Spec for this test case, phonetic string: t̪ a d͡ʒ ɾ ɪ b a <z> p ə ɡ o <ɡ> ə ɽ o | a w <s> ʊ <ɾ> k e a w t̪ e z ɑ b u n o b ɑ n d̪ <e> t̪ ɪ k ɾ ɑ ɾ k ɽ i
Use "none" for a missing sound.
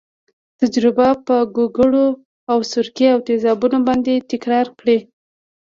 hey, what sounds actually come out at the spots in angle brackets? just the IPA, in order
none, ɡ, s, ɾ, e

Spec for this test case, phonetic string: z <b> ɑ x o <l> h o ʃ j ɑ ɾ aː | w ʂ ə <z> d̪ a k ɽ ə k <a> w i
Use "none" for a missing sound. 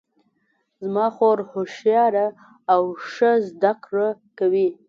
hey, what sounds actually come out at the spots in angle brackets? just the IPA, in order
m, ɾ, z, a

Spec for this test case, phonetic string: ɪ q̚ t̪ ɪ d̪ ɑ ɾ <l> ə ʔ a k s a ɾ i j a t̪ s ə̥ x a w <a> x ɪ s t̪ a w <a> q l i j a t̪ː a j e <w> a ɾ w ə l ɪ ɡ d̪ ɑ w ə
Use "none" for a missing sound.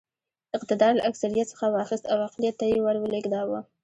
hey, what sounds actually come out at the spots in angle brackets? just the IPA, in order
l, ɑ, a, w

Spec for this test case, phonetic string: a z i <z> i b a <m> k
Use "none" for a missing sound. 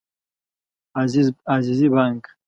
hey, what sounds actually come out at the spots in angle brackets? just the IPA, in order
z, ŋ

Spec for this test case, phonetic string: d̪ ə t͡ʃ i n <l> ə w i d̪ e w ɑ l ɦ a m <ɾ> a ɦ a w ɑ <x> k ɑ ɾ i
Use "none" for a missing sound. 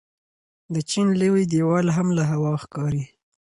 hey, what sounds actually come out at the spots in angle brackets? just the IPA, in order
l, l, x

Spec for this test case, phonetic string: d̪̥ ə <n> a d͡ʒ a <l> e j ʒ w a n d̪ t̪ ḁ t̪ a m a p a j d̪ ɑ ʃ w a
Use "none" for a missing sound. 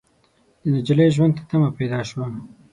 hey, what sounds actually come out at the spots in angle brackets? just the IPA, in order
n, l

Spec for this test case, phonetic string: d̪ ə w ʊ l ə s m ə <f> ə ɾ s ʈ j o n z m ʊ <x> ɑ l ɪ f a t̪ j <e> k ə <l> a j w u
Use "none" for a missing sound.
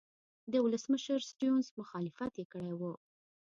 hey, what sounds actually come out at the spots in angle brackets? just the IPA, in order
ʃ, x, e, ɽ

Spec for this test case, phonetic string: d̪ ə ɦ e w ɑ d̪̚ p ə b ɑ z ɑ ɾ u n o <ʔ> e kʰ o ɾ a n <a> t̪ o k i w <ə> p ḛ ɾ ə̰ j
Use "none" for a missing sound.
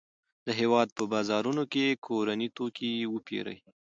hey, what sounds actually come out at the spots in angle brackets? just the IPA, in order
k, i, ə

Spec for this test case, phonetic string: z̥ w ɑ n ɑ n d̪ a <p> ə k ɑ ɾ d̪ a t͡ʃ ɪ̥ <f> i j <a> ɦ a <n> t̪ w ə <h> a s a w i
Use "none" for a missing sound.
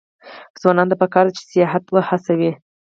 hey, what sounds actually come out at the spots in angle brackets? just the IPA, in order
p, s, ɑ, none, h

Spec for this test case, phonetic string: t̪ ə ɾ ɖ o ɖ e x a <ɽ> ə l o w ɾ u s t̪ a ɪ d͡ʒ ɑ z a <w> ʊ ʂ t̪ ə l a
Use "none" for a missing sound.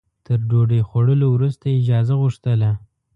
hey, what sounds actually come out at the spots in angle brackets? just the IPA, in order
ɽ, ɣ

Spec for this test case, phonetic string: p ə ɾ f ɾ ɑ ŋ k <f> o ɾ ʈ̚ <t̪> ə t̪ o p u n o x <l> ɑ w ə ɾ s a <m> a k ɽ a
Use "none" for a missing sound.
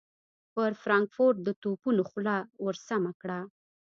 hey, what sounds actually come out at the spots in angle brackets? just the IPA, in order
f, d̪, l, m

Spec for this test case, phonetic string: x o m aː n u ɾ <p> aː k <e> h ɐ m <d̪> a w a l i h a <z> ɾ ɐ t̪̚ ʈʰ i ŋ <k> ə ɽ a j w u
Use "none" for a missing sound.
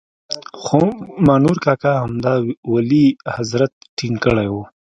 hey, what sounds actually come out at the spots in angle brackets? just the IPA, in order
k, a, d̪, z, k

